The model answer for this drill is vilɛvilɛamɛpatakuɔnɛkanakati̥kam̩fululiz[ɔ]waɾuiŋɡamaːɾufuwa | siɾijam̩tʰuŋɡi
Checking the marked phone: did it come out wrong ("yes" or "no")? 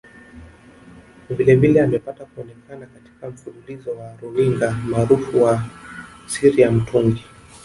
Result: no